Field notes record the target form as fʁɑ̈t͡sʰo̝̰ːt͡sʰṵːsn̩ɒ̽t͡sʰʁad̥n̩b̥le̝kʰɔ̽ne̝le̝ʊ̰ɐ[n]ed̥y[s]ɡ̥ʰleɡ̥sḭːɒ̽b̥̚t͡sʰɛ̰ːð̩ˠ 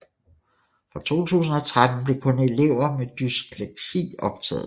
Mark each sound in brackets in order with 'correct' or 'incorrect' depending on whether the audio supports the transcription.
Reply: incorrect, correct

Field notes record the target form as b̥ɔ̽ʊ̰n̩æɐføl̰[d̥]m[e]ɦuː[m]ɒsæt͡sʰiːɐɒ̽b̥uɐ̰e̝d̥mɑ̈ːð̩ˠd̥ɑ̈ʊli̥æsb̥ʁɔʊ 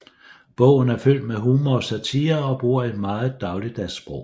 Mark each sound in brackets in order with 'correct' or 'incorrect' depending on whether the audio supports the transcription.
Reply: correct, correct, correct

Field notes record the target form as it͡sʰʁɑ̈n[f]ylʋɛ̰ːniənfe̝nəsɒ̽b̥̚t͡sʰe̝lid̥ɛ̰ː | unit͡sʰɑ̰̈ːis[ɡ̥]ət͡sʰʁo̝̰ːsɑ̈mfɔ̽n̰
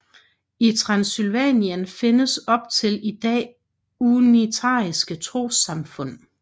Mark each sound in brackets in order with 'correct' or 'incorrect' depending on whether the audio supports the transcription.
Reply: incorrect, correct

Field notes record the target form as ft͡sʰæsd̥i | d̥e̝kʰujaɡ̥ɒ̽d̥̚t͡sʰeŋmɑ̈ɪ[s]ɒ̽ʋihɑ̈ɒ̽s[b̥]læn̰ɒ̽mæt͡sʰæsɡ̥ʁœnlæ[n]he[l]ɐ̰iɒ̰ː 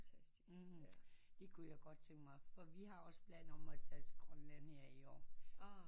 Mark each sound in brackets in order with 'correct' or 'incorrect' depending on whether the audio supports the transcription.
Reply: incorrect, correct, correct, incorrect

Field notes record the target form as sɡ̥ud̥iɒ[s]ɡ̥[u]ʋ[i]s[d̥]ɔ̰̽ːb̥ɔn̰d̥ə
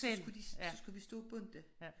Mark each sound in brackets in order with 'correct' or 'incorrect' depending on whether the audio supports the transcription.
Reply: correct, correct, correct, correct

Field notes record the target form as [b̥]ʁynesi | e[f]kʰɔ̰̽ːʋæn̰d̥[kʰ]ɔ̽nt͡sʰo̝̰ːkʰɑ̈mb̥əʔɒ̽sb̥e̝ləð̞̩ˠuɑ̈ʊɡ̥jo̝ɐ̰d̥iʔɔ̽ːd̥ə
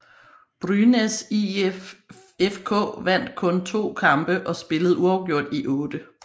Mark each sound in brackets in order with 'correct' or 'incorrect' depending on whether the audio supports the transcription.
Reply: correct, correct, correct

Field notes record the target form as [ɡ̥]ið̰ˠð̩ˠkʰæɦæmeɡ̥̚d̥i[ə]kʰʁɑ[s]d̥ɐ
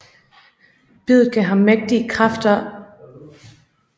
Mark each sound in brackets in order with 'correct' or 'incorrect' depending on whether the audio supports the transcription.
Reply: incorrect, correct, incorrect

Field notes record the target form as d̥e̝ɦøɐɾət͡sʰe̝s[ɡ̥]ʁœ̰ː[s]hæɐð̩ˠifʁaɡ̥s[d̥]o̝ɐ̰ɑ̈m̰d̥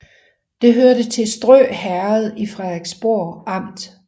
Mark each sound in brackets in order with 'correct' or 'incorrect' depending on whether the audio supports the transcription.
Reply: incorrect, incorrect, incorrect

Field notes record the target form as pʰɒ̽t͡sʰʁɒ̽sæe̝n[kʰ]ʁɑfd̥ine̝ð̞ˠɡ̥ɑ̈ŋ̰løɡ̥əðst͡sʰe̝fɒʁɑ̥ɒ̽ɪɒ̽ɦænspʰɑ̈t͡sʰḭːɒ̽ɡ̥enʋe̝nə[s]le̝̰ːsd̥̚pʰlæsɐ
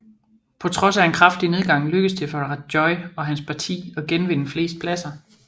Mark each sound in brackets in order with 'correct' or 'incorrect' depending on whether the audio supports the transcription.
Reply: correct, incorrect

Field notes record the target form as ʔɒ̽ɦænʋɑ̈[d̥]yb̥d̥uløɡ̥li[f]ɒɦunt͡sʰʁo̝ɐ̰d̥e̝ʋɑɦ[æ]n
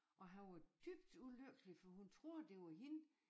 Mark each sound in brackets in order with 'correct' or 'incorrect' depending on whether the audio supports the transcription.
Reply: correct, correct, incorrect

